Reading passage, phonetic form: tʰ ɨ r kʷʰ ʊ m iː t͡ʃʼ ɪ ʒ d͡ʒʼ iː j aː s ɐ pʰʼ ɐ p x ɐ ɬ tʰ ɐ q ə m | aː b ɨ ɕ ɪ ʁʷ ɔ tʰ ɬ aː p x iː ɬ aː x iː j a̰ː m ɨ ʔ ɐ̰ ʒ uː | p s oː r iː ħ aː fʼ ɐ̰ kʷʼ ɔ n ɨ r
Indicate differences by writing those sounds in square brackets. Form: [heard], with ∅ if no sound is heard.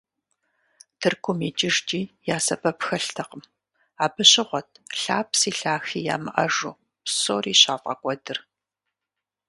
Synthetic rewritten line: tʰ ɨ r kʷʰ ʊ m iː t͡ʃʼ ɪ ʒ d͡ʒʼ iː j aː s ɐ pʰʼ ɐ p x ɐ ɬ tʰ ɐ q ə m | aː b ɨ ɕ ɪ ʁʷ ɔ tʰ ɬ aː p [s] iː ɬ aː x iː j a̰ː m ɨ ʔ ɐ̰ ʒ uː | p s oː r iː [ɕ] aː fʼ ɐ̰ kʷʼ ɔ [d] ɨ r